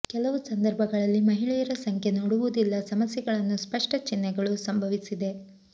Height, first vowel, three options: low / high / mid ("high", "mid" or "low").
mid